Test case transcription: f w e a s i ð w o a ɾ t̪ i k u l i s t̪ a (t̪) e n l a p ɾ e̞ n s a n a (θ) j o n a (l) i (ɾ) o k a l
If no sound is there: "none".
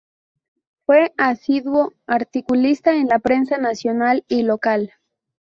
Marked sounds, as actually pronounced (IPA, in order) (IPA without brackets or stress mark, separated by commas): none, s, l, l